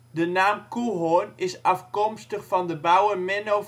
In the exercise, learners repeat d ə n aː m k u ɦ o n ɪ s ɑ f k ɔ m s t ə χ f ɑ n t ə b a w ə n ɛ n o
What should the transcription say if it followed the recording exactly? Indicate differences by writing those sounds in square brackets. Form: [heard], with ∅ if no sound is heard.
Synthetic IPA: d ə n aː m k u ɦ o n ɪ s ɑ f k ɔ m s t ə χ f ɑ n [d] ə b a w ə [m] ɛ n o